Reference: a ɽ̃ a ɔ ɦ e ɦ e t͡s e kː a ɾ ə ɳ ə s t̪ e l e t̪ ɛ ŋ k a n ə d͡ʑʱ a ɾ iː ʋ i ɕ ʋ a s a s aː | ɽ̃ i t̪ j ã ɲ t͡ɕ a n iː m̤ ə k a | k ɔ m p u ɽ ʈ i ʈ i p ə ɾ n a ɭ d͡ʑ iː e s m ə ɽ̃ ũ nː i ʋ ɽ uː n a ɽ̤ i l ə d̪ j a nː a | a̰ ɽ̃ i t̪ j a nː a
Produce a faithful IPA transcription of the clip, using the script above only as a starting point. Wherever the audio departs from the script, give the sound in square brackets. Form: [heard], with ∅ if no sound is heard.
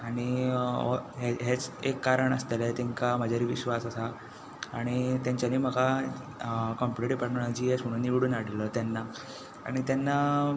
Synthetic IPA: a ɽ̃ [i] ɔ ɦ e ɦ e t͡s e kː a ɾ ə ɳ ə s t̪ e l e t̪ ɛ ŋ k a [m] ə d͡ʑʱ a ɾ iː ʋ i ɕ ʋ a s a s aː | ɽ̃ i t̪ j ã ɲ t͡ɕ a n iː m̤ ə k a | k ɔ m p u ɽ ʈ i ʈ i p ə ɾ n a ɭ d͡ʑ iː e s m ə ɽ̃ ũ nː i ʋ ɽ uː n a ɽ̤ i l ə [t̪] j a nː a | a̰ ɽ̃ i t̪ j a nː a